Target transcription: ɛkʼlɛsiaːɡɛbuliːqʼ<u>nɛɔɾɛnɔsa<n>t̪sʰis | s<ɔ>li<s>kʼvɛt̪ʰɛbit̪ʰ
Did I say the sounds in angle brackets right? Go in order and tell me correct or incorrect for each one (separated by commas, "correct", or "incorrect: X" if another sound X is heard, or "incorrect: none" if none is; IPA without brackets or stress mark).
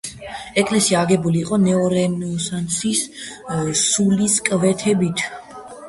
incorrect: ɔ, correct, incorrect: u, correct